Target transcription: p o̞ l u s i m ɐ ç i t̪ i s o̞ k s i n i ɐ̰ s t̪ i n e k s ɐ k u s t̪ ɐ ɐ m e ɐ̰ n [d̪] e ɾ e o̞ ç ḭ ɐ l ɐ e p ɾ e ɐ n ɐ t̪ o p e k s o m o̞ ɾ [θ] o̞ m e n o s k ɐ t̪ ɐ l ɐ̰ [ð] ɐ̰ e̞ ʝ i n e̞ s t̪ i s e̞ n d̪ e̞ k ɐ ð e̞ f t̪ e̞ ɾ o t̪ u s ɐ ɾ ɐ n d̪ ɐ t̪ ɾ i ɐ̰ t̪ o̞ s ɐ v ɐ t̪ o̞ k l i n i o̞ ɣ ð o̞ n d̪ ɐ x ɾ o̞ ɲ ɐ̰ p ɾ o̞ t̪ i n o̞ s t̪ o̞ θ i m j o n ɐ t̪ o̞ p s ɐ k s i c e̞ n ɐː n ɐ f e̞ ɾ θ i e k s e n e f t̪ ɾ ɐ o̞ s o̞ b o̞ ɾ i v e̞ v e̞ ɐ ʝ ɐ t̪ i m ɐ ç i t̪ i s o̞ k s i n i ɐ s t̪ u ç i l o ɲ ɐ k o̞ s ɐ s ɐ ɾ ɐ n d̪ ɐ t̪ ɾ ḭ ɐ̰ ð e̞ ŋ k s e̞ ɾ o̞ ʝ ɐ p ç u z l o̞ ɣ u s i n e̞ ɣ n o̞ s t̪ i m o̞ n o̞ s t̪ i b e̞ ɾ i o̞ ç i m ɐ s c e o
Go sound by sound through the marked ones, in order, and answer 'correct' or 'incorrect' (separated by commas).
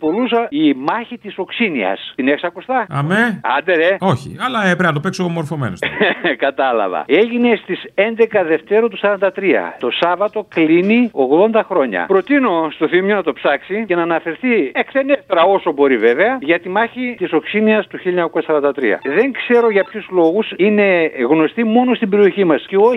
correct, incorrect, incorrect